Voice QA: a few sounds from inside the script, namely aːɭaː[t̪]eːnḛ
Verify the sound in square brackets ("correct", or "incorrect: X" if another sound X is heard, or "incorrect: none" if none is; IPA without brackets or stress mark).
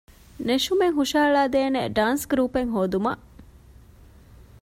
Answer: incorrect: d̪